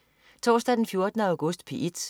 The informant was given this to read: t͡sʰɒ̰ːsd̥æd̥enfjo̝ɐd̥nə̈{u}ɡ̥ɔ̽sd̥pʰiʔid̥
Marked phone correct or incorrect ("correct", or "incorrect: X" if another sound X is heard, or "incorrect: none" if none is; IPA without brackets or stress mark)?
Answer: incorrect: ʊ